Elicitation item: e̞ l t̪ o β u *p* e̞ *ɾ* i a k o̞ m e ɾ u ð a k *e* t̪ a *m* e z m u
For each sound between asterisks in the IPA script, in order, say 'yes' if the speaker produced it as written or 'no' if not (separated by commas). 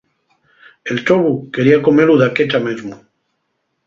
no, yes, yes, yes